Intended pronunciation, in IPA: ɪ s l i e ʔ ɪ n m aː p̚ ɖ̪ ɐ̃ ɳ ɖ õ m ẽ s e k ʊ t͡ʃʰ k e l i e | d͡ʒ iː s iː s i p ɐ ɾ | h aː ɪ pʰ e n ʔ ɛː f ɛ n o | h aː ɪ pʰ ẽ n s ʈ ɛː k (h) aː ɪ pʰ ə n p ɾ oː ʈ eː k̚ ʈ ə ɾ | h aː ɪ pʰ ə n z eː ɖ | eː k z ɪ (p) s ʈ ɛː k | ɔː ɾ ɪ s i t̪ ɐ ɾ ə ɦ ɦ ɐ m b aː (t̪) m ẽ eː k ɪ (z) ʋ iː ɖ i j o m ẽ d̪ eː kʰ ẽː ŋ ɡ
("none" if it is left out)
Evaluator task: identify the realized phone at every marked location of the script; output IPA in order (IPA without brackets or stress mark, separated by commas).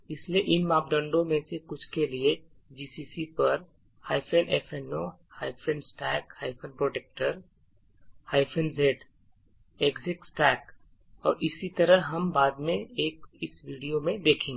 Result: h, k, d̪, s